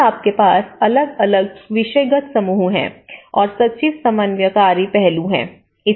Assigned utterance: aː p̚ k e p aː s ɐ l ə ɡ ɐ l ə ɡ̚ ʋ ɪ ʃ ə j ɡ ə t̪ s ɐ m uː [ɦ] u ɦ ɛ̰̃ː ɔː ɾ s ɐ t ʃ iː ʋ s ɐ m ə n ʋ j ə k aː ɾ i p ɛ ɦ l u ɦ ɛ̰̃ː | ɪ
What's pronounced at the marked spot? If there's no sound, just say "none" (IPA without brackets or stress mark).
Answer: ɦ